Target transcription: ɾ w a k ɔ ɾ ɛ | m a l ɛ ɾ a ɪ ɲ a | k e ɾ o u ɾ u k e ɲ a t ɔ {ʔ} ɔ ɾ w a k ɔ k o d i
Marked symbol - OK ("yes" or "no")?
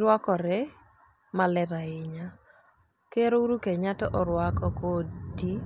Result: yes